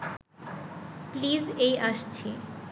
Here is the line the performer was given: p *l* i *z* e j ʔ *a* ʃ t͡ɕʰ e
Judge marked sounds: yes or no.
yes, yes, yes

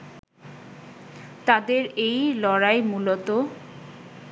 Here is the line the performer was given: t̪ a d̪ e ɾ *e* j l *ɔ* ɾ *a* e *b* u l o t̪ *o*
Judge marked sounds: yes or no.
yes, yes, yes, no, yes

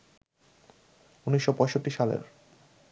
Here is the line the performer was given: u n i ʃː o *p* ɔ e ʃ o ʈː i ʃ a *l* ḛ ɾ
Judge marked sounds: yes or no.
yes, yes

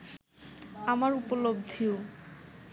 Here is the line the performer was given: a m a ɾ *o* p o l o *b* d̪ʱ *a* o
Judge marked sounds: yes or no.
no, yes, no

